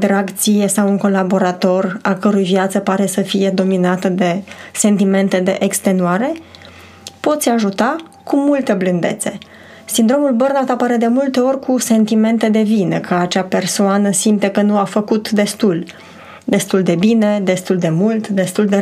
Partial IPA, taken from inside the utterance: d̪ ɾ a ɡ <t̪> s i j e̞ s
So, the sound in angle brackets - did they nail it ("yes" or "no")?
yes